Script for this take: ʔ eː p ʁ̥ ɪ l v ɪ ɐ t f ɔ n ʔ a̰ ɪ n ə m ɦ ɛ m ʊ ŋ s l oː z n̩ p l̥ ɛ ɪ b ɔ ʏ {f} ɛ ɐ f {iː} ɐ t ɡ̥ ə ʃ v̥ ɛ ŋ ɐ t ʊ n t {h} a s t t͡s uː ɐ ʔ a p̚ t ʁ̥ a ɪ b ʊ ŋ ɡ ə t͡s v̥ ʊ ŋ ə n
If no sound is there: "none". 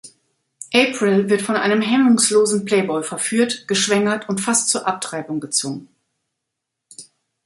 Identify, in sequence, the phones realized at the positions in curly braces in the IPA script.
f, yː, f

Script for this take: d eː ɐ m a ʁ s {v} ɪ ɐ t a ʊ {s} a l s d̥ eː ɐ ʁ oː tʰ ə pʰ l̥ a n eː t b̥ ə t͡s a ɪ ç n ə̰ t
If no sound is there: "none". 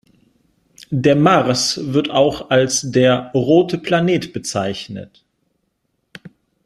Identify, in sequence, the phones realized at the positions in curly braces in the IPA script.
v, x

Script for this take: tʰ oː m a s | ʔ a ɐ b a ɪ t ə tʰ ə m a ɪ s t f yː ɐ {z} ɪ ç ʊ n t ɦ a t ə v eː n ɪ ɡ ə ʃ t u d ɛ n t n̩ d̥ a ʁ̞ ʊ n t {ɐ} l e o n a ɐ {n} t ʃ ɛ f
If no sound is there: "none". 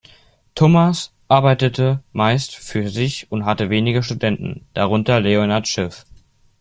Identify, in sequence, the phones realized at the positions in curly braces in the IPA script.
z, ɐ, none

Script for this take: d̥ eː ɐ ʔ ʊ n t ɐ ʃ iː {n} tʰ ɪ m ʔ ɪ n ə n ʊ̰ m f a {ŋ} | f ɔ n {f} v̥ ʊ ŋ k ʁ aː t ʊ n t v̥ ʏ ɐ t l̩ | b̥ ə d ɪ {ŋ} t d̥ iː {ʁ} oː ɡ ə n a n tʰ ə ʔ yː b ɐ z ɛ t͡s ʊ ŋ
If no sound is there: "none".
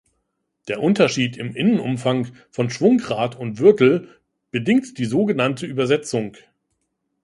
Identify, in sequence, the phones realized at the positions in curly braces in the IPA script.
none, ŋ, ʃ, ŋ, z

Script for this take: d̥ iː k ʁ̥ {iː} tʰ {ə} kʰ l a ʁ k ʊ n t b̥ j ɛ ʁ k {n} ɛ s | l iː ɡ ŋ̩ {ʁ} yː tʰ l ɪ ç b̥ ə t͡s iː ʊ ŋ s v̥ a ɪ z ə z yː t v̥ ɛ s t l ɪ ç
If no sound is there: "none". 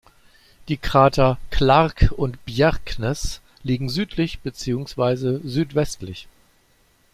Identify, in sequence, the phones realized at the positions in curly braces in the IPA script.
aː, ɐ, n, z

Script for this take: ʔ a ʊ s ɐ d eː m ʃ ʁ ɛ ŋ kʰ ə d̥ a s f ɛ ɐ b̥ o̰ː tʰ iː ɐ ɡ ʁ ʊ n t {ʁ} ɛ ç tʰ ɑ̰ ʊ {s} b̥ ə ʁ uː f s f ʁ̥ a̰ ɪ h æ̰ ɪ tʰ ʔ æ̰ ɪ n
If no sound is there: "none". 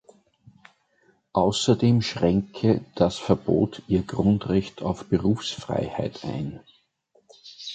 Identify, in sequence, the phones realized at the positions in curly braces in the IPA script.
ʁ, f

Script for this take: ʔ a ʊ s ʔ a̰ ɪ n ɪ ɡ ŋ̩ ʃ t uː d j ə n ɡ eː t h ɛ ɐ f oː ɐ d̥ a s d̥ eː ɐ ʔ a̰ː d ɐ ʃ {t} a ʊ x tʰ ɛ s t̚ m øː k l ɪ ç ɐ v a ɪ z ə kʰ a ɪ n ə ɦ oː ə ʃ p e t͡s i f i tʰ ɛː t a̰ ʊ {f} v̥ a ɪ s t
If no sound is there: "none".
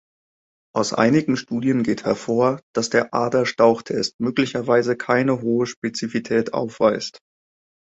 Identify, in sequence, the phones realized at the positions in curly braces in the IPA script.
t, f

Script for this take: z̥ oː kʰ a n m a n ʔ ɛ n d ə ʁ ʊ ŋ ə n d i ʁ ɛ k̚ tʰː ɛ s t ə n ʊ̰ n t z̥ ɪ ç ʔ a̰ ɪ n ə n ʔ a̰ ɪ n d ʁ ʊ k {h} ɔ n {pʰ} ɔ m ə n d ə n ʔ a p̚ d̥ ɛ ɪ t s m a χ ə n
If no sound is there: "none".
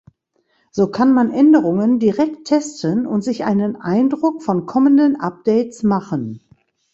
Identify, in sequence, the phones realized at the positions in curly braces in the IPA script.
f, kʰ

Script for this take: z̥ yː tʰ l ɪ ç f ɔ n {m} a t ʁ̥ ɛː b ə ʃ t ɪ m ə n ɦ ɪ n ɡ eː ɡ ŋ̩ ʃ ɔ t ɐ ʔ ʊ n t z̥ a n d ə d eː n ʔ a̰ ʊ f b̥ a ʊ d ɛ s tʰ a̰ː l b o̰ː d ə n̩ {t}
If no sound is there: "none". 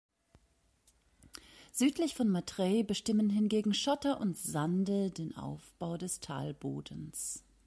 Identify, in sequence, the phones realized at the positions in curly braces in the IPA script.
m, s

